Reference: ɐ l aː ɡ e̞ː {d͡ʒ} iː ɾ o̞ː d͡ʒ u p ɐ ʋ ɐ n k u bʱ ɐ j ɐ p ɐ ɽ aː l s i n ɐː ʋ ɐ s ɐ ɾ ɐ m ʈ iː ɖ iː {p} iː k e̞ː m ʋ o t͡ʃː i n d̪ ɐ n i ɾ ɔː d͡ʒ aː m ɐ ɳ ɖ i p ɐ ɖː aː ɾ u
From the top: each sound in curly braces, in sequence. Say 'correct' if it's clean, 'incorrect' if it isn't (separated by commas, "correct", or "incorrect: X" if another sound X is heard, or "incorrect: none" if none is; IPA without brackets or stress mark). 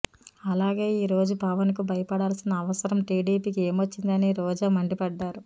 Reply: incorrect: none, correct